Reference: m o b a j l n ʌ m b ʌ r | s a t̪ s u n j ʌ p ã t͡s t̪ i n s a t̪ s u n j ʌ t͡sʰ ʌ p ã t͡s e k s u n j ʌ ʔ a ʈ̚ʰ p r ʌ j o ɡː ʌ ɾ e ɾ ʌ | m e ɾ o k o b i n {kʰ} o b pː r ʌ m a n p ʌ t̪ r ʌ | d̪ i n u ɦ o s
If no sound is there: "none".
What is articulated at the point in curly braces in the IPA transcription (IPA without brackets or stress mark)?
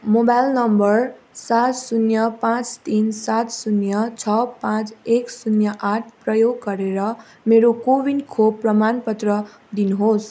kʰ